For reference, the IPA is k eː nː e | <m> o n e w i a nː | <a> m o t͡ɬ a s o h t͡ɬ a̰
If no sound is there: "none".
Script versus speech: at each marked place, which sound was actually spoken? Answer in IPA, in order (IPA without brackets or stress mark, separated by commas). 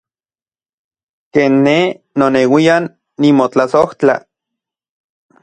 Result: n, i